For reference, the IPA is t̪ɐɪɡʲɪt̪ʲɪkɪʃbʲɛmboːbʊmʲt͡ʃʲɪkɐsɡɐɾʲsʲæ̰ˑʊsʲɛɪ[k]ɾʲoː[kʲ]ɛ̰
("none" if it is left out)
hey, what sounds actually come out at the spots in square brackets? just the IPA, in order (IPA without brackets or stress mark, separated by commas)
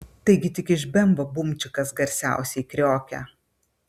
k, kʲ